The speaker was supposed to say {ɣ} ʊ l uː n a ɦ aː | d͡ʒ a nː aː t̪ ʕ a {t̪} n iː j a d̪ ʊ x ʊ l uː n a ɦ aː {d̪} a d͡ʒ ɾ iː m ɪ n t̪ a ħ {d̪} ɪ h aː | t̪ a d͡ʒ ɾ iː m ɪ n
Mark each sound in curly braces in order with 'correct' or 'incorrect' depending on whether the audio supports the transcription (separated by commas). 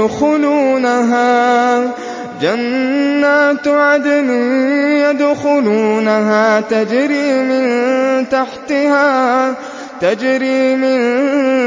incorrect, incorrect, incorrect, incorrect